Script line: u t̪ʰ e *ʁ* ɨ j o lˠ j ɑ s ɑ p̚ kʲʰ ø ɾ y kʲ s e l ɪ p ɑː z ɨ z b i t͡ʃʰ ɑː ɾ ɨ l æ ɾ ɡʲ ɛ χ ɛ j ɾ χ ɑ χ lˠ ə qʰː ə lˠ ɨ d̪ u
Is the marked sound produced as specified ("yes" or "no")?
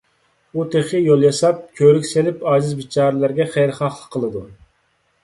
no